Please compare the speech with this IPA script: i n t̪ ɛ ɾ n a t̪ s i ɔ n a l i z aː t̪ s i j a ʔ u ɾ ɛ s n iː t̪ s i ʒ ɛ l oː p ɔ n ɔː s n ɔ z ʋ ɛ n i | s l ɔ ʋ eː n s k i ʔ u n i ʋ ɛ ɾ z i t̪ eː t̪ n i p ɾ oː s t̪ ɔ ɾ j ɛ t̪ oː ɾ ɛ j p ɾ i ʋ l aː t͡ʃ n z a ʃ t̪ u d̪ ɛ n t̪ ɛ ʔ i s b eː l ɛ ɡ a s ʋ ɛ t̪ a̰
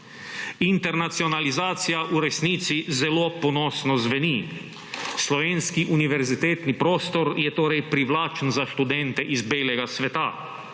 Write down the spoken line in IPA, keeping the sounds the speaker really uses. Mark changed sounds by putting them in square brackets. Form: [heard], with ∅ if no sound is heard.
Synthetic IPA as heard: i n t̪ ɛ ɾ n a t̪ s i ɔ n a l i z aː t̪ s i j a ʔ u ɾ ɛ s n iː t̪ s i [z] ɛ l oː p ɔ n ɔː s n ɔ z ʋ ɛ n i | s l ɔ ʋ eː n s k i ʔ u n i ʋ ɛ ɾ z i t̪ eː t̪ n i p ɾ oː s t̪ ɔ ɾ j ɛ t̪ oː ɾ ɛ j p ɾ i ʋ l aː t͡ʃ n z a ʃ t̪ u d̪ ɛ n t̪ ɛ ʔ i [z] b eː l ɛ ɡ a s ʋ ɛ t̪ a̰